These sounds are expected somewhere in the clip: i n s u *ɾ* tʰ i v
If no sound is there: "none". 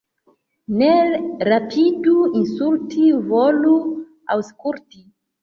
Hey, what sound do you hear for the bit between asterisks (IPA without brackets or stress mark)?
l